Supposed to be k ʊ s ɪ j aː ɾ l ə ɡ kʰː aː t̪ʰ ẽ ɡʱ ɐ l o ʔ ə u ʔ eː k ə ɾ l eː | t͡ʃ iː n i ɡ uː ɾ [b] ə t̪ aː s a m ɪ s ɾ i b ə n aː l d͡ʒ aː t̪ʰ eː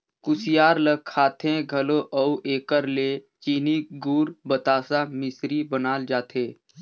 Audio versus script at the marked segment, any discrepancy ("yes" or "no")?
no